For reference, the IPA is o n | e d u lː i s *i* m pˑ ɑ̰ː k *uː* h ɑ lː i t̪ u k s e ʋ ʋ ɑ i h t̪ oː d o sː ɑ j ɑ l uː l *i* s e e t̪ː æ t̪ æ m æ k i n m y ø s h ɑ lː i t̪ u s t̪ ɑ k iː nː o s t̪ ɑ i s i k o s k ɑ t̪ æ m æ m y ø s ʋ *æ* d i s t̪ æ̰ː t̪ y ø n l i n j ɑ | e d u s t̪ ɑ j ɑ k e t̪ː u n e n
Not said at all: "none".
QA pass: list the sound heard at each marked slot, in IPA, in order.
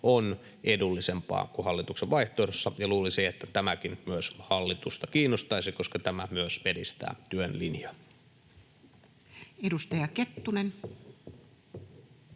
e, u, i, e

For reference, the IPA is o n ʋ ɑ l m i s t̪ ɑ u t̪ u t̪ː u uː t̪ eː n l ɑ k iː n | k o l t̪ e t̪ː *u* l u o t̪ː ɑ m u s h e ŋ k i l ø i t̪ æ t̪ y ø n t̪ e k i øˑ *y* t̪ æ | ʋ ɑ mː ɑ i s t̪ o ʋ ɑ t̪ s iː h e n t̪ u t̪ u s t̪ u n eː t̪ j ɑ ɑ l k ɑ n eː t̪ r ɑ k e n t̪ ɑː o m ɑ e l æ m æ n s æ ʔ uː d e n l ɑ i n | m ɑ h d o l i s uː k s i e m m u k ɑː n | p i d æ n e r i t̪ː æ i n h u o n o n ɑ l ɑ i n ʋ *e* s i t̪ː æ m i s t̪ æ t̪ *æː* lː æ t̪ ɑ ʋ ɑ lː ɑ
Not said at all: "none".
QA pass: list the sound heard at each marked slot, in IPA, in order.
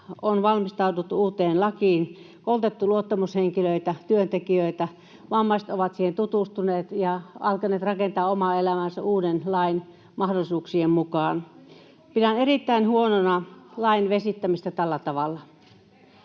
u, i, e, æ

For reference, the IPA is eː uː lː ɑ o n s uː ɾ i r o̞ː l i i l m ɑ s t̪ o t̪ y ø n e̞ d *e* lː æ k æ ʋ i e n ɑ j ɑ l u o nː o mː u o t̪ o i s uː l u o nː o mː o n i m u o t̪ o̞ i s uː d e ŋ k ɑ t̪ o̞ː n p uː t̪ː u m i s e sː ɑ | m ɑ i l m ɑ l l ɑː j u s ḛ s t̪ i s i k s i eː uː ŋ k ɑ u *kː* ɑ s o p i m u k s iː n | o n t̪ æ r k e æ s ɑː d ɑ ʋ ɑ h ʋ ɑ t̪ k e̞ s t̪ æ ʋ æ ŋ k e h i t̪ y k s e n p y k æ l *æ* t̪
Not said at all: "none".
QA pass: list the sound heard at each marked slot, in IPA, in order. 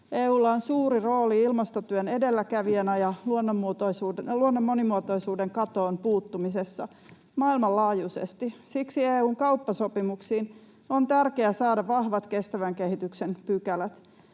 e, pː, æ

